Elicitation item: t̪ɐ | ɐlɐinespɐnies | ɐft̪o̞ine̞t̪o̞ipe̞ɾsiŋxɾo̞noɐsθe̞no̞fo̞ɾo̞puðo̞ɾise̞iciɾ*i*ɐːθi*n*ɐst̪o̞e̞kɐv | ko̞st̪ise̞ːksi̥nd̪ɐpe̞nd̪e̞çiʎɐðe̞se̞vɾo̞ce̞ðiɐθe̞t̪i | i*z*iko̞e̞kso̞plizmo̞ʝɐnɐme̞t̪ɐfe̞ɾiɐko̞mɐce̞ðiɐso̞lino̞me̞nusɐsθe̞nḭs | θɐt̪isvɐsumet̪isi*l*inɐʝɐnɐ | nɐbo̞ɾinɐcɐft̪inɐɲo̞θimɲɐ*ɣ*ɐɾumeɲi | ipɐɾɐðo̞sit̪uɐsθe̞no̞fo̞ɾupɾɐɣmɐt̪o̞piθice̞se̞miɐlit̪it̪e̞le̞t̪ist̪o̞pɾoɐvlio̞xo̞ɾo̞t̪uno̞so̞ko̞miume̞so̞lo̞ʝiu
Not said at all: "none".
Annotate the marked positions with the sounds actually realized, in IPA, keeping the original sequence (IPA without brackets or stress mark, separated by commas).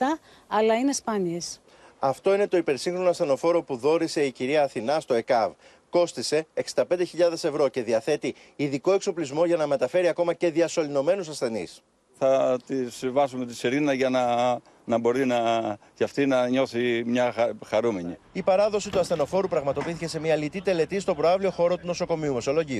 i, n, ð, ɾ, x